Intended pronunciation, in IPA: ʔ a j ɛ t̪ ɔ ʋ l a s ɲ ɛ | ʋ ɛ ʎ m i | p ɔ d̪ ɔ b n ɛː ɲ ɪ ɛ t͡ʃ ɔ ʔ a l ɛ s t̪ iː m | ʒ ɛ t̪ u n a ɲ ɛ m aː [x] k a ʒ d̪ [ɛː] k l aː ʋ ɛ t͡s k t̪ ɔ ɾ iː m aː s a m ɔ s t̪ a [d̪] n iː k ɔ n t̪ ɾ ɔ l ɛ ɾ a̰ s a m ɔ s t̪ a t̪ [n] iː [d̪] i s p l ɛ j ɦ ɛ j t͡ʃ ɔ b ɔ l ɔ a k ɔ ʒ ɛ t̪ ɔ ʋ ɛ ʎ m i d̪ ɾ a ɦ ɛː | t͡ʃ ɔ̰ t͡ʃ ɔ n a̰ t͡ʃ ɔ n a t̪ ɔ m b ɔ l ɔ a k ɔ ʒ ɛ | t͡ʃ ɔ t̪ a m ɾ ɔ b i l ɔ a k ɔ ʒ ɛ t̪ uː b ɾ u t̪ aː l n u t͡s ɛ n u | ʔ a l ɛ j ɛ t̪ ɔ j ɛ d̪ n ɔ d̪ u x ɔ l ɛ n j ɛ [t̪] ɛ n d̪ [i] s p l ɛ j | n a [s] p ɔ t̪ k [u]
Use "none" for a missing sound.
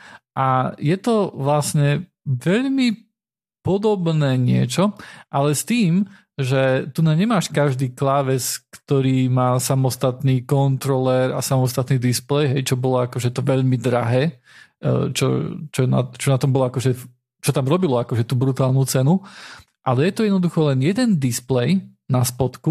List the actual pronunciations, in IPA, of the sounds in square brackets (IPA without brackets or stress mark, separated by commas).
ʃ, iː, t̪, n, d̪, d̪, i, s, u